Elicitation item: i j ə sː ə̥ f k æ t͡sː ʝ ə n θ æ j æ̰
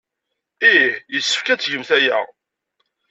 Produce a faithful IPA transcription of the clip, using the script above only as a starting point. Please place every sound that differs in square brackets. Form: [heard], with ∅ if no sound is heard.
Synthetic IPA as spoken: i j ə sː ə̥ f k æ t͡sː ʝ ə [m] θ æ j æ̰

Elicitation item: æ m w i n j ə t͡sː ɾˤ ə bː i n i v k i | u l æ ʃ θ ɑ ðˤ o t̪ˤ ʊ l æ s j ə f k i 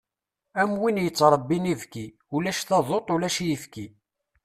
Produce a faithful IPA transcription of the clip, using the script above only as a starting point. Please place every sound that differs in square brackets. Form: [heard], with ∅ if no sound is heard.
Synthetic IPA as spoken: æ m w i n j ə t͡sː ɾˤ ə bː i n i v k i | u l æ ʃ θ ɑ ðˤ o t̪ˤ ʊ l æ [ʃ] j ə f k i

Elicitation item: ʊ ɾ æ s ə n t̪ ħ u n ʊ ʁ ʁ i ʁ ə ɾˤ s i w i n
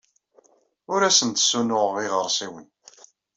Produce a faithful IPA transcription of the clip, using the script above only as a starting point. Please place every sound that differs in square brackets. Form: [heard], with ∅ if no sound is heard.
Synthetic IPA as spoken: ʊ ɾ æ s ə n t̪ [s] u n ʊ ʁ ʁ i ʁ ə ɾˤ s i w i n

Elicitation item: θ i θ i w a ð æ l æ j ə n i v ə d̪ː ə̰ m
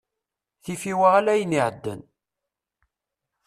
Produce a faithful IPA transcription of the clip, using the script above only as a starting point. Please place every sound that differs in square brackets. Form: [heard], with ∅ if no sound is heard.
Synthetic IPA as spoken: θ i [f] i w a [ʁ] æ l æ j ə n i [ʕ] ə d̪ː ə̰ [n]

